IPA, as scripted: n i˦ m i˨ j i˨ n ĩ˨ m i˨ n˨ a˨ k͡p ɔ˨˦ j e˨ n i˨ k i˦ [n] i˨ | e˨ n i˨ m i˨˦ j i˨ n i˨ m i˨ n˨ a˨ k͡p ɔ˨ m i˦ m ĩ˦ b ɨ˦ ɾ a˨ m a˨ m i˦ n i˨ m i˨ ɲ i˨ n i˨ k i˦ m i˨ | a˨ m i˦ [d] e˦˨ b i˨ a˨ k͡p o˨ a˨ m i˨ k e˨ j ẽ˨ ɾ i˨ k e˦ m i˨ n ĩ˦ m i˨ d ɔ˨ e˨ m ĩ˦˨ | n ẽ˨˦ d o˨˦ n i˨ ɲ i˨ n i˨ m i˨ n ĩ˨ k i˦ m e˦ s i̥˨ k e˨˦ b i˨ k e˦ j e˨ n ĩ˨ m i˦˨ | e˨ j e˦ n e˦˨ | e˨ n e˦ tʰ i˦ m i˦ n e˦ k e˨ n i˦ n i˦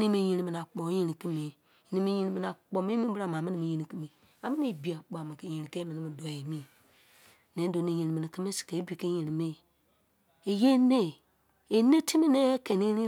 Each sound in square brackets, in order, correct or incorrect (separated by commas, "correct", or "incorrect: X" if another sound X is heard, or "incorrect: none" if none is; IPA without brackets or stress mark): incorrect: m, incorrect: n